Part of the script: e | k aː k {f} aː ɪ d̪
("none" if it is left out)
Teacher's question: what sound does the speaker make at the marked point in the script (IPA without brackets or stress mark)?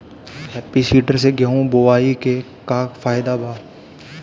f